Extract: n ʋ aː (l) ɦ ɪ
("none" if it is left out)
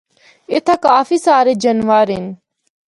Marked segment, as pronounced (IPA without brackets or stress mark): ɾ